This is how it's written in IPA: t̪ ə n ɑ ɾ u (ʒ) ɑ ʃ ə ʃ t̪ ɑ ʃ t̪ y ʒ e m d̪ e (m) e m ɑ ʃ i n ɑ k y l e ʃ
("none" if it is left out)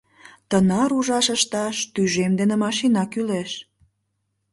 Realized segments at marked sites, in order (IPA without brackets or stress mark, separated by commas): ʒ, n